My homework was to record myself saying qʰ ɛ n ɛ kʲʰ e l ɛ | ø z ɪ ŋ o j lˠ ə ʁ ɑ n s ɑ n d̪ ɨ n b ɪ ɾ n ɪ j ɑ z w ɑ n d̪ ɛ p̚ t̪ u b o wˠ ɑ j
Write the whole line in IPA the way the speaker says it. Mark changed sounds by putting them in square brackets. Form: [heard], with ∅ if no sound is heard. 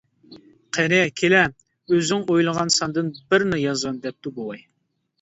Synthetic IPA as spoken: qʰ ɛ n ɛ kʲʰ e l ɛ | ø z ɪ ŋ o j lˠ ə ʁ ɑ n s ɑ n d̪ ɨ n b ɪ ɾ n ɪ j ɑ z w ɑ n d̪ ɛ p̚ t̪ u b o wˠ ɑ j